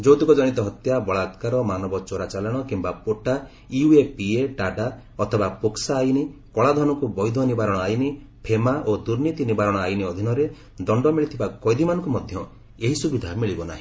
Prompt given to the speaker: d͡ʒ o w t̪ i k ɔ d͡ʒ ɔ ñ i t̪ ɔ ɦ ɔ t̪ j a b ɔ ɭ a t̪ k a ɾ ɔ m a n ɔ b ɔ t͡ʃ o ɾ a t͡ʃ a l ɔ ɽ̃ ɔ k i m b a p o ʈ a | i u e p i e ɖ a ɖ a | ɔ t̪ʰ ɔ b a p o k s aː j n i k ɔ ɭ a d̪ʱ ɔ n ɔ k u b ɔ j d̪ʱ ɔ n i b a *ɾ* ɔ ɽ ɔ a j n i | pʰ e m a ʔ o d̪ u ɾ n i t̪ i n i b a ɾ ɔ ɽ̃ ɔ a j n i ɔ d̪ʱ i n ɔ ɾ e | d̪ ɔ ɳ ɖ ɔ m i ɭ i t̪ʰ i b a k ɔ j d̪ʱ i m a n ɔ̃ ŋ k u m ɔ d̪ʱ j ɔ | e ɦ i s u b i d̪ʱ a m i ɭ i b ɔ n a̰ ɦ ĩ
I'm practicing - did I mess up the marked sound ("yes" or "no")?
no